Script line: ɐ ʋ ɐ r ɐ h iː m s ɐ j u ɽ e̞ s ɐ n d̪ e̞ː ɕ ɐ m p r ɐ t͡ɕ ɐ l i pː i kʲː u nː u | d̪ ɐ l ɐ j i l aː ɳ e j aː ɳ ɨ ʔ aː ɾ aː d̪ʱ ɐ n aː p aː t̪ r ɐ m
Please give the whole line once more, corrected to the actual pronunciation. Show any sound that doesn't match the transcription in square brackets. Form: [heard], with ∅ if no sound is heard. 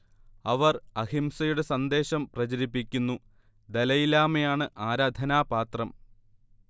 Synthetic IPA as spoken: ɐ ʋ ɐ r ɐ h [i] m s ɐ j u ɽ e̞ s ɐ n d̪ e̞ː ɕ ɐ m p r ɐ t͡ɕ ɐ [ɾ] i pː i kʲː u nː u | d̪ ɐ l ɐ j i l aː [m] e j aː ɳ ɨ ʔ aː ɾ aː d̪ʱ ɐ n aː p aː t̪ r ɐ m